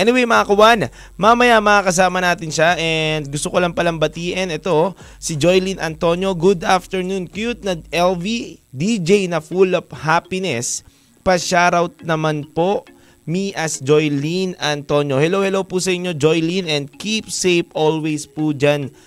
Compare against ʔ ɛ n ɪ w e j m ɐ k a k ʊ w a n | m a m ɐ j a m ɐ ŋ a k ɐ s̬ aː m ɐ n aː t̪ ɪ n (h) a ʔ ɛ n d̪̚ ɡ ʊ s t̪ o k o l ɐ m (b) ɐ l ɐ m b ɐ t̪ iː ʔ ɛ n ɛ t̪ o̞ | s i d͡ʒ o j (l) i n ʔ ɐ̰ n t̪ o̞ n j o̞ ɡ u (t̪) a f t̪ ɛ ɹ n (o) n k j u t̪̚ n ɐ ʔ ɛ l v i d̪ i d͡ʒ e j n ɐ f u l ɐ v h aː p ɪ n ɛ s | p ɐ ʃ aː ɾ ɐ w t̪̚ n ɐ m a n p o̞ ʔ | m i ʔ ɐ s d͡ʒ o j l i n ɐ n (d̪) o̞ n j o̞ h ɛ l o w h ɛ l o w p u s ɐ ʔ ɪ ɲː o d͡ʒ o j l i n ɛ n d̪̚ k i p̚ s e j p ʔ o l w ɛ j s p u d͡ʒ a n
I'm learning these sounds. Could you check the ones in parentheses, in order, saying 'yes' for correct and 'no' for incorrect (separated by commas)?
no, no, yes, no, no, no